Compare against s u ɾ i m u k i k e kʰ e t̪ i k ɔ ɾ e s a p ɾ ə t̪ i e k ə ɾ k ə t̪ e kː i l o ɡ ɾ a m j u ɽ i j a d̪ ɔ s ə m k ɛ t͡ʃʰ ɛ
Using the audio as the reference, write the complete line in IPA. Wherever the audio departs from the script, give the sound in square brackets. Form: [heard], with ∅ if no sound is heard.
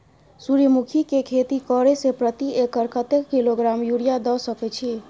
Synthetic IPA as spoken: s u ɾ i m u [kʰ] i k e kʰ e t̪ i k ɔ ɾ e s [e] p ɾ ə t̪ i e k ə ɾ k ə t̪ e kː i l o ɡ ɾ a m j u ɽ i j a d̪ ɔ s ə [∅] k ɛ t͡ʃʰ [i]